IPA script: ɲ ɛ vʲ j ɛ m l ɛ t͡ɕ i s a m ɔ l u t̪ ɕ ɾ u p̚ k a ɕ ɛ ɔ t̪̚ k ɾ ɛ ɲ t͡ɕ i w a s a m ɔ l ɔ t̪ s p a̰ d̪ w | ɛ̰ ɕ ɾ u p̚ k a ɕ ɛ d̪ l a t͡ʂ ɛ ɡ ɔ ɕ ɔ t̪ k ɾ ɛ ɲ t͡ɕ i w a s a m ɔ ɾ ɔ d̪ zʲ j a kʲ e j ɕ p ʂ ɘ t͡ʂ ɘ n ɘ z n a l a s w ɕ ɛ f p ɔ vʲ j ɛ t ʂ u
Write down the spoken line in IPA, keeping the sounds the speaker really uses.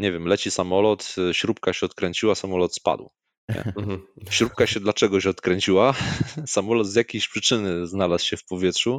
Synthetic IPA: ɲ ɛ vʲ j ɛ m l ɛ t͡ɕ i s a m ɔ l ɔ t̪ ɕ ɾ u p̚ k a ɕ ɛ ɔ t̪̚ k ɾ ɛ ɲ t͡ɕ i w a s a m ɔ l ɔ t̪ s p a̰ d̪ w | ɛ̰ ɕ ɾ u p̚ k a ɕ ɛ d̪ l a t͡ʂ ɛ ɡ ɔ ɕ ɔ t̪ k ɾ ɛ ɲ t͡ɕ i w a s a m ɔ l ɔ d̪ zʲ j a kʲ e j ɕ p ʂ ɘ t͡ʂ ɘ n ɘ z n a l a s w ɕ ɛ f p ɔ vʲ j ɛ t ʂ u